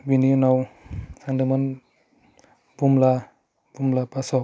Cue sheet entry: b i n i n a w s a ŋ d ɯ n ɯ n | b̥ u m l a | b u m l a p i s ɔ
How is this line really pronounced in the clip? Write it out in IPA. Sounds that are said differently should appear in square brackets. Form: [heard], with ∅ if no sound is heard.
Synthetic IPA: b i n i n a w s a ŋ d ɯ [m] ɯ n | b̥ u m l a | b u m l a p [a] s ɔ